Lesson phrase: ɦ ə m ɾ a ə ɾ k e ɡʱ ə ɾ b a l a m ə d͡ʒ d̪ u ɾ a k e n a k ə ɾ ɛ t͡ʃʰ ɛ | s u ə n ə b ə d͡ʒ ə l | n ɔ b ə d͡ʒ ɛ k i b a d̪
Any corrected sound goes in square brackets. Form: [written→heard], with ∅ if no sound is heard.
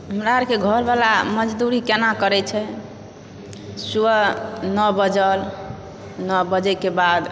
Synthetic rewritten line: ɦ ə m ɾ a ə ɾ k e ɡʱ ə ɾ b a l a m ə d͡ʒ d̪ u ɾ [a→i] k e n a k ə ɾ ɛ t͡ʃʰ ɛ | s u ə n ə b ə d͡ʒ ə l | n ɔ b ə d͡ʒ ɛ k [i→e] b a d̪